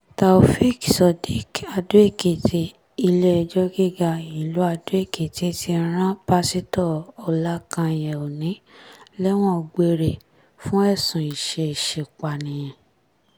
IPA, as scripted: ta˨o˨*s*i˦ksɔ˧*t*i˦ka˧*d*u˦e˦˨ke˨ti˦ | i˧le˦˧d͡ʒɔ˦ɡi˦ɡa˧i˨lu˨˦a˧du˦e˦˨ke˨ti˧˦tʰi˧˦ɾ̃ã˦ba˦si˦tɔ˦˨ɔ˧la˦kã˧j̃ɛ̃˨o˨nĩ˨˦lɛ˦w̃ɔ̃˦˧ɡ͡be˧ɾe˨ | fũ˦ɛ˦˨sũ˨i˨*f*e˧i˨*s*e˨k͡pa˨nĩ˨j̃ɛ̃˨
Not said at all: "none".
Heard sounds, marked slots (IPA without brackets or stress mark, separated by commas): f, d, d, ʃ, ʃ